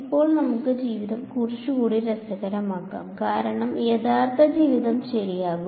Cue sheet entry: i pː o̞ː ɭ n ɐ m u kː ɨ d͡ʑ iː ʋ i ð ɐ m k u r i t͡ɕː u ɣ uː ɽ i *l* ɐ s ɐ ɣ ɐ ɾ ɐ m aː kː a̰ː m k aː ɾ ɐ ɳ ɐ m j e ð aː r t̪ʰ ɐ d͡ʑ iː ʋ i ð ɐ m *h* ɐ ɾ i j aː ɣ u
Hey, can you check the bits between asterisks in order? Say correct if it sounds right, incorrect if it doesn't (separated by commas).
incorrect, incorrect